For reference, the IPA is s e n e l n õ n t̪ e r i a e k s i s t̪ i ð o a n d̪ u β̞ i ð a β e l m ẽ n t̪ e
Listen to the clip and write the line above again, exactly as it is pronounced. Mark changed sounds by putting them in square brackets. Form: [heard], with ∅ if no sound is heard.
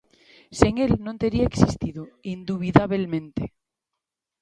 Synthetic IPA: s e [ŋ] e l n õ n t̪ e [ɾ] i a e k s i s t̪ i ð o [i] n d̪ u β̞ i ð a β e l m ẽ n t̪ e